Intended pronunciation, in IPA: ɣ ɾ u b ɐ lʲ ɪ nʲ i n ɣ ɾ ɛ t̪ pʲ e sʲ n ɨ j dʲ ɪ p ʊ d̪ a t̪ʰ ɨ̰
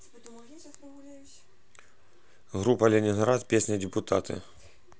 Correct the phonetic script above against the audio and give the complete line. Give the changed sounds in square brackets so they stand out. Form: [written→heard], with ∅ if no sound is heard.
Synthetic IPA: ɣ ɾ u [b→p] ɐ lʲ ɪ nʲ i n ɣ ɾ [ɛ→a] t̪ pʲ e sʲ n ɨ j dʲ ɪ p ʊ [d̪→t̪] a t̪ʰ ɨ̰